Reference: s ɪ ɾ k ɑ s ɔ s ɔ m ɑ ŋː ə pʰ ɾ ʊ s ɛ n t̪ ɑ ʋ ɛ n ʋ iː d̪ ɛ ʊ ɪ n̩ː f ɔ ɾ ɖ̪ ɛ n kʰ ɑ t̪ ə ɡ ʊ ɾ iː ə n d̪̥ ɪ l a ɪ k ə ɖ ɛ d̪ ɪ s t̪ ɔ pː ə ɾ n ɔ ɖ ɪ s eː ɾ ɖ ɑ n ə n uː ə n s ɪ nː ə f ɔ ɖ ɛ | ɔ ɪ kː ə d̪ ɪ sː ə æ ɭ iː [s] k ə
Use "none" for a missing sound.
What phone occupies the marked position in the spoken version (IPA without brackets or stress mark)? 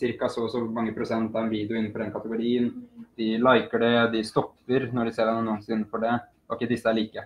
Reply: none